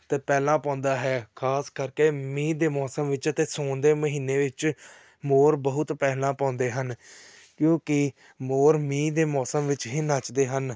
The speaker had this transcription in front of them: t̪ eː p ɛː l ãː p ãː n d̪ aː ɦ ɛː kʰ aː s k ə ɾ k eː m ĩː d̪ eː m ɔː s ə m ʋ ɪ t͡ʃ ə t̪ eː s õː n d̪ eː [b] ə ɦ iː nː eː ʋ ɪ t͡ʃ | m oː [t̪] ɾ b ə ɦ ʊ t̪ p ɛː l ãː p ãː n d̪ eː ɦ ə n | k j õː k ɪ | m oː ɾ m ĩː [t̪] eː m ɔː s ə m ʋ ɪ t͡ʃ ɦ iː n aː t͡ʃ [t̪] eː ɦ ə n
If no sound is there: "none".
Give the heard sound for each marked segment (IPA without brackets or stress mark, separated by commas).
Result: m, none, d̪, d̪